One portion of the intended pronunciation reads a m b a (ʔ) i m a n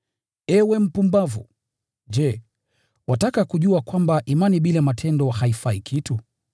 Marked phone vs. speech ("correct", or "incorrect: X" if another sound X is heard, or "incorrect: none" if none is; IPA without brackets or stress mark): correct